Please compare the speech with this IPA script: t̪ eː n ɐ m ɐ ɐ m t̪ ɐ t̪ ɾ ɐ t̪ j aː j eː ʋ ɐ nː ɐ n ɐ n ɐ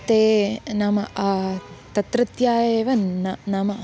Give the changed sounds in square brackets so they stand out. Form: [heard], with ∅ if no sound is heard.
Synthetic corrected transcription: t̪ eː n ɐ m ɐ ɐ [∅] t̪ ɐ t̪ ɾ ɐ t̪ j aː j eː ʋ ɐ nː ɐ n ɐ [m] ɐ

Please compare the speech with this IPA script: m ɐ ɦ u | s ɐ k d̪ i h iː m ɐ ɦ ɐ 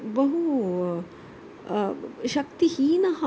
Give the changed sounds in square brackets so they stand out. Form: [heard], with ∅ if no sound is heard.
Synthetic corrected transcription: [b] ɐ ɦ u | [ʃ] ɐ k [t̪] i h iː [n] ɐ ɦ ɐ

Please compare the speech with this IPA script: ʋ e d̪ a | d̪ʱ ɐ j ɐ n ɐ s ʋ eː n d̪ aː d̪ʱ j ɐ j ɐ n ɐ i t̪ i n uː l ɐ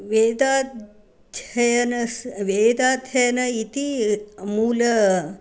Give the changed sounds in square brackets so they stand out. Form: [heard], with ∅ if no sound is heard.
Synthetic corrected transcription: ʋ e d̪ a | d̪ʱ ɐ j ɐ n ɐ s ʋ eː [∅] d̪ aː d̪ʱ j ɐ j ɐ n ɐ i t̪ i [m] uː l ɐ

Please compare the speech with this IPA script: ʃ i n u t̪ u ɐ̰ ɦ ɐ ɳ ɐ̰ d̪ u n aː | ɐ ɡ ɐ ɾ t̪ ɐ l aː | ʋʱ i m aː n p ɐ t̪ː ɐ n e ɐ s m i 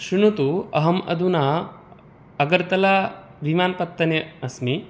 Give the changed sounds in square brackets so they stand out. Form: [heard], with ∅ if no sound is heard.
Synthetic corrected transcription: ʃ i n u t̪ u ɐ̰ ɦ ɐ [m] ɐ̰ d̪ u n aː | ɐ ɡ ɐ ɾ t̪ ɐ l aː | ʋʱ i m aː n p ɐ t̪ː ɐ n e ɐ s m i

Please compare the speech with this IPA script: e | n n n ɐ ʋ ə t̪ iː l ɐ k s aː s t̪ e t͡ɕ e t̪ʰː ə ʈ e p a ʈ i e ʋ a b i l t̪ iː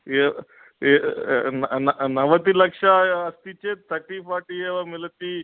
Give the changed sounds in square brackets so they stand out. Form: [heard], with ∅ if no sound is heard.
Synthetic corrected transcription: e | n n n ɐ ʋ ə t̪ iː l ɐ k [ʂ] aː s t̪ [i] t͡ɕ e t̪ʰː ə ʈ [i] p a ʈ i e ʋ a [m] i l t̪ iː

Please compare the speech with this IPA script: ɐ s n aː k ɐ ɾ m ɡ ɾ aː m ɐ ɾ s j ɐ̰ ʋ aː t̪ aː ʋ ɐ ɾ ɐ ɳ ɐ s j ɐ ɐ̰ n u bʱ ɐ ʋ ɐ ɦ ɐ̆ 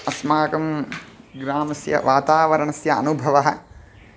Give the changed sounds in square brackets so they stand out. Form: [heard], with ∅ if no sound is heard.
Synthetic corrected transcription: ɐ s [m] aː k ɐ [∅] m ɡ ɾ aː m ɐ [∅] s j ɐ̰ ʋ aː t̪ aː ʋ ɐ ɾ ɐ ɳ ɐ s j ɐ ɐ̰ n u bʱ ɐ ʋ ɐ ɦ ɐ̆

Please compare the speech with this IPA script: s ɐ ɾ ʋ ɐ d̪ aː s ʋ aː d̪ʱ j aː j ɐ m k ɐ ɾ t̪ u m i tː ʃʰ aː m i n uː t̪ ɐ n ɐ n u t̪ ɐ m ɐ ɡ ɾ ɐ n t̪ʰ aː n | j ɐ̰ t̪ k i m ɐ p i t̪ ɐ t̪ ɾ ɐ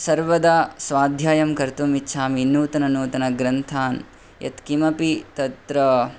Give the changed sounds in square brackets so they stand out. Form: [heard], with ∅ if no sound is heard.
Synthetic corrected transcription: s ɐ ɾ ʋ ɐ d̪ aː s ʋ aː d̪ʱ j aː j ɐ m k ɐ ɾ t̪ u m i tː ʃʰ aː m i n uː t̪ ɐ n ɐ n [uː] t̪ ɐ [n] ɐ ɡ ɾ ɐ n t̪ʰ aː n | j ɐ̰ t̪ k i m ɐ p i t̪ ɐ t̪ ɾ ɐ

